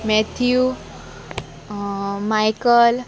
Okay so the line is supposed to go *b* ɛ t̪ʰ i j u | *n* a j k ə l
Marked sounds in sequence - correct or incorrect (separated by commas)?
incorrect, incorrect